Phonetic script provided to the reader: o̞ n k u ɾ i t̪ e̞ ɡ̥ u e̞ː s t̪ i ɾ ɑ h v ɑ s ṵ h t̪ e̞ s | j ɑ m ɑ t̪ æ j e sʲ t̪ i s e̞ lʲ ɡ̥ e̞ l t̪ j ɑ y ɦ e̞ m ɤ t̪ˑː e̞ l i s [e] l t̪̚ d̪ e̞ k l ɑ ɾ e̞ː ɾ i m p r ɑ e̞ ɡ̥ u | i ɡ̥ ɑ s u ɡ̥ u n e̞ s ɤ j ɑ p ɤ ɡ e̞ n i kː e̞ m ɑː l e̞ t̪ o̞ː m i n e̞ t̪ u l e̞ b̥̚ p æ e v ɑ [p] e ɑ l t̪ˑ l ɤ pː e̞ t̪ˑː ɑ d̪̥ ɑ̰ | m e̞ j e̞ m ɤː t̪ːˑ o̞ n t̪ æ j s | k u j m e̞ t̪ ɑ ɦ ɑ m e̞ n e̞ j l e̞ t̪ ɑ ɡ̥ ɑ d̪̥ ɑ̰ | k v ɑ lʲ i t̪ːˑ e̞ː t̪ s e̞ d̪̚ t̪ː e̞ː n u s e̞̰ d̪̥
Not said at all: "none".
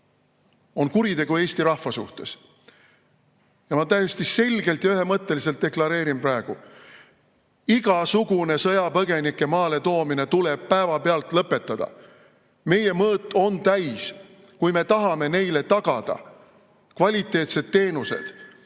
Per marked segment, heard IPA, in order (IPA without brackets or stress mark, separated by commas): e, p